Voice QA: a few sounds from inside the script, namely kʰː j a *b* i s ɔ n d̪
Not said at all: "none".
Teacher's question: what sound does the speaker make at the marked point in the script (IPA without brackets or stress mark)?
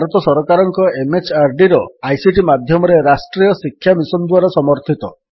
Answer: m